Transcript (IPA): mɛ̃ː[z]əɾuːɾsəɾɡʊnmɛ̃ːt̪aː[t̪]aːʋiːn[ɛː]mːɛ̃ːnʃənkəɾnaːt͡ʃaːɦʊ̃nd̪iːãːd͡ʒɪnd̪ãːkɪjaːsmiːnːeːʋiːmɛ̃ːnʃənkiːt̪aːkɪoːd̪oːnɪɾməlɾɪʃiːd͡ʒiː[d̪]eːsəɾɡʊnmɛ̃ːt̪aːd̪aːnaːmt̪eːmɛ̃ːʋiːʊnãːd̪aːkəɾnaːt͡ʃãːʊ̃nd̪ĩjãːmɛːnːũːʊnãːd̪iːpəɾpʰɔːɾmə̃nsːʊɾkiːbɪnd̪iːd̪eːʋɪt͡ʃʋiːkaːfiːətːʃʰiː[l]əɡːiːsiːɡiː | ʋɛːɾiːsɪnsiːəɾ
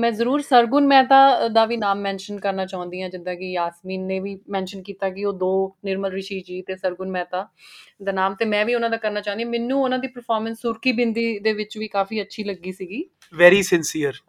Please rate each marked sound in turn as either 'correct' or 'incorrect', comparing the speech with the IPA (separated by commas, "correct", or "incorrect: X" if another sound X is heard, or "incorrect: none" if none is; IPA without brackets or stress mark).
correct, incorrect: d̪, incorrect: aː, incorrect: t̪, correct